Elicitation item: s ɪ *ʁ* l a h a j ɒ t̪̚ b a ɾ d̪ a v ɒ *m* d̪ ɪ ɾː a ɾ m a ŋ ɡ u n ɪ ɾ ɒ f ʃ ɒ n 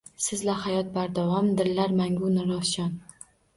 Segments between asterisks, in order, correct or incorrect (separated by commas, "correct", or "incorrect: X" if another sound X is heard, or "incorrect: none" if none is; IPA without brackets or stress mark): incorrect: z, correct